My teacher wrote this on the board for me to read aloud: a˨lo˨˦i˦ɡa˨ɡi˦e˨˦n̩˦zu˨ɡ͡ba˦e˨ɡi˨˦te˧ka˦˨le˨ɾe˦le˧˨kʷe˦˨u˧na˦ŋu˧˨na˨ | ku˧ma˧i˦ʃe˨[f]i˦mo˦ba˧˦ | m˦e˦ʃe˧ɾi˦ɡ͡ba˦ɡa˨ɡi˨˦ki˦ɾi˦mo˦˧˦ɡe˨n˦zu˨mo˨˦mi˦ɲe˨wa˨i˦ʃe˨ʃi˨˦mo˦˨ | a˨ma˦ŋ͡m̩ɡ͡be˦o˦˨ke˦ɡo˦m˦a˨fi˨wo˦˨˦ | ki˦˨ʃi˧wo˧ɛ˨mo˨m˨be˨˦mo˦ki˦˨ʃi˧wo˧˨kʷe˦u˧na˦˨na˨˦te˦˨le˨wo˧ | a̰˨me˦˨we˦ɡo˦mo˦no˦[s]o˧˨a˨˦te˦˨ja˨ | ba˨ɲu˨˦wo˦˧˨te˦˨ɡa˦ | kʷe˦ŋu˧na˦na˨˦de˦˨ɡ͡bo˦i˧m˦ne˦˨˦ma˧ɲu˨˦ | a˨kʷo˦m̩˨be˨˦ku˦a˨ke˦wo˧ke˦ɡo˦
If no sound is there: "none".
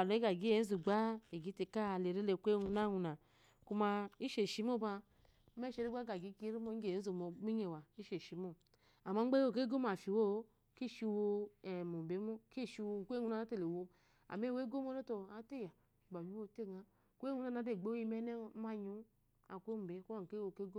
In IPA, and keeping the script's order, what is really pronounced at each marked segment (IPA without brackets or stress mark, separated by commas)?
ʃ, t